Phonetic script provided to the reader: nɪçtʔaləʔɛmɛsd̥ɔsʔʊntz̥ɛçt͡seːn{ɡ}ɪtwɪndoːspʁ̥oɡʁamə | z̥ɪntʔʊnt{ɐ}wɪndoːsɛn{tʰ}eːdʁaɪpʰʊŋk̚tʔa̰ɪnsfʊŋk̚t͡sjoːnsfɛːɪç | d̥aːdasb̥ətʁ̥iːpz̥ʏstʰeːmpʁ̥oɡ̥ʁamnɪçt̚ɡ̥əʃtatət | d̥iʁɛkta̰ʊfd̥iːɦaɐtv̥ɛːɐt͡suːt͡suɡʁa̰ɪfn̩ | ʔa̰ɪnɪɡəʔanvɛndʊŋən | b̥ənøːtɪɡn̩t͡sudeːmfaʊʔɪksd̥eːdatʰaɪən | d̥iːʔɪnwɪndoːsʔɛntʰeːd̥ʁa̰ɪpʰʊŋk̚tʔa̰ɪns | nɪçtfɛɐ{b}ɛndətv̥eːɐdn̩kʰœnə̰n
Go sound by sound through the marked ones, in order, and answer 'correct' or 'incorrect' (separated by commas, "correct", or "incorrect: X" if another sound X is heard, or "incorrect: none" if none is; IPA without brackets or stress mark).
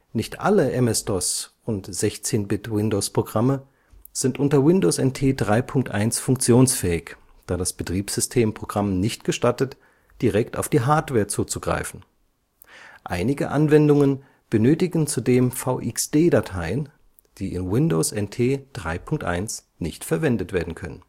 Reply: incorrect: b, correct, correct, incorrect: v